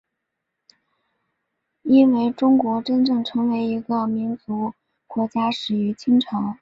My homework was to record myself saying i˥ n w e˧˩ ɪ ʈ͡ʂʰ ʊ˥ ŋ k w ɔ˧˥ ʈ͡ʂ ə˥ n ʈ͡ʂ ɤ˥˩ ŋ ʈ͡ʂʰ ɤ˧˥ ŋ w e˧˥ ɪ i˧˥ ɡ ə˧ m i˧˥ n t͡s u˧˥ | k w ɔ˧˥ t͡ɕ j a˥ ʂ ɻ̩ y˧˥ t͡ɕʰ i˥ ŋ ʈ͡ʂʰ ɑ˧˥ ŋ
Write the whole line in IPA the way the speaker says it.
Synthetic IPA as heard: i˥ n w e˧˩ ɪ ʈ͡ʂ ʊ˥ ŋ k w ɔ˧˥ ʈ͡ʂ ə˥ n ʈ͡ʂ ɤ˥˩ ŋ ʈ͡ʂʰ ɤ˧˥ ŋ w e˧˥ ɪ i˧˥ ɡ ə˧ m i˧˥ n t͡s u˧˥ | k w ɔ˧˥ t͡ɕ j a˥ ʂ ɻ̩ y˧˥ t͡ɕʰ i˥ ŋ ʈ͡ʂʰ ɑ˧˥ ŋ